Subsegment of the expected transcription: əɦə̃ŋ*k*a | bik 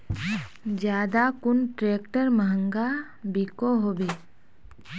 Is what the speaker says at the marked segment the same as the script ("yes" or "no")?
no